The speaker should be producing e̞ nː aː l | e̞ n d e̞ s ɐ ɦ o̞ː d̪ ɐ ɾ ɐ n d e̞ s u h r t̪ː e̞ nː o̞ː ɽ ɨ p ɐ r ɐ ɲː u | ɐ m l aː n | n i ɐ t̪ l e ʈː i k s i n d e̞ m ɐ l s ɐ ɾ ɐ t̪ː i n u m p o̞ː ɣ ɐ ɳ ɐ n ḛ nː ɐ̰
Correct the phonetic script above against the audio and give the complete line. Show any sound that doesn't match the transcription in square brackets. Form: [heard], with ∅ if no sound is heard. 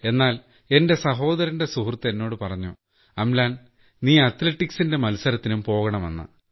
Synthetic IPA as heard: e̞ nː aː l | e̞ n d e̞ s ɐ ɦ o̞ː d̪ ɐ ɾ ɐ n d e̞ s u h r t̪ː e̞ nː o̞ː ɽ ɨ p ɐ r ɐ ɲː u | ɐ m l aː n | n [iː] ɐ t̪ l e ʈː i k s i n d e̞ m ɐ l s ɐ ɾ ɐ t̪ː i n u m p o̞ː ɣ ɐ ɳ ɐ [m] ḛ nː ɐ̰